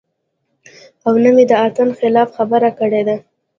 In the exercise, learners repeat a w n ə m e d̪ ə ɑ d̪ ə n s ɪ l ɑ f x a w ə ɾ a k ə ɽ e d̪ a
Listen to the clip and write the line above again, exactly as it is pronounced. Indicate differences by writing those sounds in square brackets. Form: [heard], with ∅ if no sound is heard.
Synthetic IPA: a w n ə m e d̪ ə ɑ [t̪] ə n [x] ɪ l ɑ f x a [b] ə ɾ a k ə ɽ e d̪ a